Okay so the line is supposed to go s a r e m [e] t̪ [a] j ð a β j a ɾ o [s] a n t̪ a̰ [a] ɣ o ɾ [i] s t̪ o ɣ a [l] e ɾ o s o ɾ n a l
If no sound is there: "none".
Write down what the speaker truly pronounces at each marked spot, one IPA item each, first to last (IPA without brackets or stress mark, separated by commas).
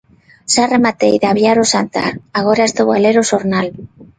a, e, s, a, a, l